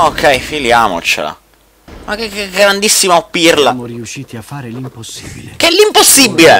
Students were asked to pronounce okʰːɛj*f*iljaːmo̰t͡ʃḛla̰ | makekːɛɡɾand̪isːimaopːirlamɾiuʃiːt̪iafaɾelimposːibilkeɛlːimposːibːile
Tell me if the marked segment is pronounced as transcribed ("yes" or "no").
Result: yes